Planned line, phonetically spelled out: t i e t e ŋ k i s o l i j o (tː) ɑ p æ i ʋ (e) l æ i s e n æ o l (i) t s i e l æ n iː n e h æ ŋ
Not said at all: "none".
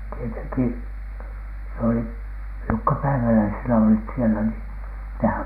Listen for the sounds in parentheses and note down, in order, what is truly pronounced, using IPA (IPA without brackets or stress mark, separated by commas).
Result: kː, æ, i